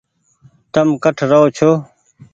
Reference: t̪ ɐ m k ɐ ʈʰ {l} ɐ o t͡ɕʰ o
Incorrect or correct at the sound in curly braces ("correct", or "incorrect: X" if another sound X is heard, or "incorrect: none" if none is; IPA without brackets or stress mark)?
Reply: incorrect: ɾ